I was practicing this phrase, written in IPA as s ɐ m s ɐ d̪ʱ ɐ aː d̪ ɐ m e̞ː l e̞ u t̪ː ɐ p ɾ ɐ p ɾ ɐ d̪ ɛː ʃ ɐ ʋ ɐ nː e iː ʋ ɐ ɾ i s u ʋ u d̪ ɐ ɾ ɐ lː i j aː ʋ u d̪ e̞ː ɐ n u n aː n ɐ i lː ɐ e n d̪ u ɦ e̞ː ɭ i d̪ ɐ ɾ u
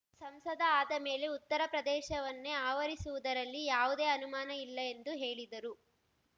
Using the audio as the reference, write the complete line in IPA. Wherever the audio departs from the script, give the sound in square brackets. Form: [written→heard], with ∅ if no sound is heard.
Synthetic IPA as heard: s ɐ m s ɐ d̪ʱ ɐ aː d̪ ɐ m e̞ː l e̞ u t̪ː ɐ [p→∅] ɾ ɐ p ɾ ɐ d̪ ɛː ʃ ɐ ʋ ɐ nː e [iː→aː] ʋ ɐ ɾ i s u ʋ u d̪ ɐ ɾ ɐ lː i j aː ʋ u d̪ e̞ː ɐ n u [n→m] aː n ɐ i lː ɐ e n d̪ u ɦ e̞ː ɭ i d̪ ɐ ɾ u

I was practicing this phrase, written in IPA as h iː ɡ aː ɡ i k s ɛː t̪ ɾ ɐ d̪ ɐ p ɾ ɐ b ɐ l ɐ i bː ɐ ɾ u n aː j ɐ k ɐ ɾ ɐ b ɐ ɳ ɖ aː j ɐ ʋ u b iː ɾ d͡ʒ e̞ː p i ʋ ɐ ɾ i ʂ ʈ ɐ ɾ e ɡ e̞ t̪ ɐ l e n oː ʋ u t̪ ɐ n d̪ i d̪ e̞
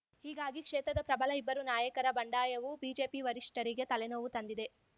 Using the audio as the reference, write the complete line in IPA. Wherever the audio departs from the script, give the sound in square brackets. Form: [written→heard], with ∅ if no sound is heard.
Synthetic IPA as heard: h iː ɡ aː ɡ i k [s→ʂ] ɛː t̪ ɾ ɐ d̪ ɐ p ɾ ɐ b ɐ l ɐ i bː ɐ ɾ u n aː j ɐ k ɐ ɾ ɐ b ɐ ɳ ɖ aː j ɐ ʋ u b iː [ɾ→∅] d͡ʒ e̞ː p i ʋ ɐ ɾ i ʂ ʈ ɐ ɾ [e→i] ɡ e̞ t̪ ɐ l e n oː ʋ u t̪ ɐ n d̪ i d̪ e̞

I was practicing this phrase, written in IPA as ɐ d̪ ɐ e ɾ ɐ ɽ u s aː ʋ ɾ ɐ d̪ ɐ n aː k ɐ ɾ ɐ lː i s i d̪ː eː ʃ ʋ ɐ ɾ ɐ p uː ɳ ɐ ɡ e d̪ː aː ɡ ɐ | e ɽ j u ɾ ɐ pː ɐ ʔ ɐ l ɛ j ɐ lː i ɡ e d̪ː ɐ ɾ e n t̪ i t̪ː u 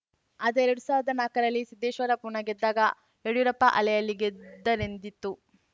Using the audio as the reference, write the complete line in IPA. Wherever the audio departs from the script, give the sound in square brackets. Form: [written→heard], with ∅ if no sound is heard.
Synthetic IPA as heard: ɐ d̪ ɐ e ɾ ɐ ɽ u s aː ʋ ɾ ɐ d̪ ɐ n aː k ɐ ɾ ɐ lː i s i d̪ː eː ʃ ʋ ɐ ɾ ɐ p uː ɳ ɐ ɡ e d̪ː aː ɡ ɐ | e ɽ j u ɾ ɐ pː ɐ ʔ ɐ l ɛ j ɐ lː i ɡ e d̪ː ɐ ɾ e n [t̪→d̪] i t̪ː u

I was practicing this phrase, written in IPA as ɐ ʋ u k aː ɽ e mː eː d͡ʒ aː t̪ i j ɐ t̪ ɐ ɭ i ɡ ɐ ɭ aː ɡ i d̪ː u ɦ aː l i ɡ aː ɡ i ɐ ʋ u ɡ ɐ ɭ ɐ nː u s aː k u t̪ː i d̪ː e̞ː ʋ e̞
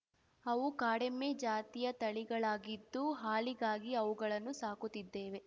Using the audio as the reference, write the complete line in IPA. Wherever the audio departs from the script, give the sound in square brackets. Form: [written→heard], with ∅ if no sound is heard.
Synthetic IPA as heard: ɐ ʋ u k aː ɽ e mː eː d͡ʒ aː t̪ i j ɐ t̪ ɐ ɭ i ɡ ɐ ɭ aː ɡ i d̪ː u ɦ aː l i ɡ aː ɡ i ɐ ʋ u ɡ ɐ ɭ ɐ nː u s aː k u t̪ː i d̪ː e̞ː ʋ e̞

